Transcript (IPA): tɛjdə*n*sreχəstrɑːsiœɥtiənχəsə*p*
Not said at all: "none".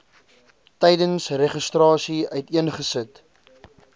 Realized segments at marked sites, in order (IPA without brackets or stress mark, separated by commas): n, t